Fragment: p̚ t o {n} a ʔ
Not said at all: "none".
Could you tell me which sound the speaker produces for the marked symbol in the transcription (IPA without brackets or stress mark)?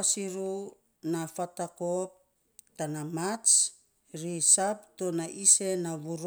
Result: n